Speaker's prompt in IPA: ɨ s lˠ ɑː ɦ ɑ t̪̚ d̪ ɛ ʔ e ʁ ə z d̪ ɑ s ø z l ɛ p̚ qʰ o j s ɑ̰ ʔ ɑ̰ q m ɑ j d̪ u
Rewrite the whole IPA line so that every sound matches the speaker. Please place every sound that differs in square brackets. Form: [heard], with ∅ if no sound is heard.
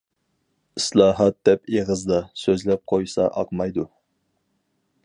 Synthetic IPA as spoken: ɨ s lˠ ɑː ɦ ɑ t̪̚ d̪ ɛ [p] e ʁ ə z d̪ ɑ s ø z l ɛ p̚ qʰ o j s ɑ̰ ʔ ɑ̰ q m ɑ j d̪ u